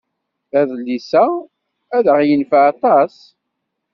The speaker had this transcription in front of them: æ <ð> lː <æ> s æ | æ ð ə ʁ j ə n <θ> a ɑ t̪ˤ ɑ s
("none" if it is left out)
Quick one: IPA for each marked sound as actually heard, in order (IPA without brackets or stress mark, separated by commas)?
ð, i, f